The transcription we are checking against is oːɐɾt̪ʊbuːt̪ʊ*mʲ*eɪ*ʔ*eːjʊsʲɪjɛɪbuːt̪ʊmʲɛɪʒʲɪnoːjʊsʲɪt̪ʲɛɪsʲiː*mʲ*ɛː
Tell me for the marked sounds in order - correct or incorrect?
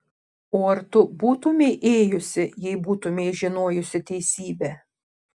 correct, correct, incorrect: bʲ

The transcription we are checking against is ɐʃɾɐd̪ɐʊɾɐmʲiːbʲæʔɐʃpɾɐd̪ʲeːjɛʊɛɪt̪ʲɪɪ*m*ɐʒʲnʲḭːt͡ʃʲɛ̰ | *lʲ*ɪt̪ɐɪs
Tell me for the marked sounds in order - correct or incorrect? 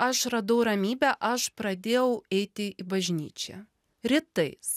incorrect: b, incorrect: ɾʲ

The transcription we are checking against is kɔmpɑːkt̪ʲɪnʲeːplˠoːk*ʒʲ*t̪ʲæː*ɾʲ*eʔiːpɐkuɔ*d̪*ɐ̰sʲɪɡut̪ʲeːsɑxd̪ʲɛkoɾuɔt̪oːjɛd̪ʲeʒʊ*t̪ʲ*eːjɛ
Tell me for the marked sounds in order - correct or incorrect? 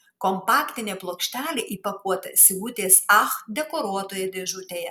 incorrect: ʃʲ, incorrect: lʲ, incorrect: t̪, correct

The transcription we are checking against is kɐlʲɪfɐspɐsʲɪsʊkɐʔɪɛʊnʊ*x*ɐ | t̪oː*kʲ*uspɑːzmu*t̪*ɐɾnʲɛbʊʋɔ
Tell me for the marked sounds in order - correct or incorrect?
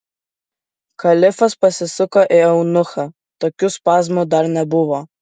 correct, correct, incorrect: d̪

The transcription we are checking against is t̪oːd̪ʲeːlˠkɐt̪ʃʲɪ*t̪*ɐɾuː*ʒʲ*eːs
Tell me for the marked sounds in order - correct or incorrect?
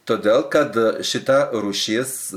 correct, incorrect: ʃʲ

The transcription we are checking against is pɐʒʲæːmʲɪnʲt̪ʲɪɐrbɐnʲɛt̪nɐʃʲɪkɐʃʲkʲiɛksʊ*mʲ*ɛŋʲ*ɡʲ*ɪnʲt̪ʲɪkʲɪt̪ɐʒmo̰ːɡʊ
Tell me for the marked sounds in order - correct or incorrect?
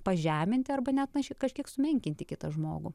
correct, incorrect: kʲ

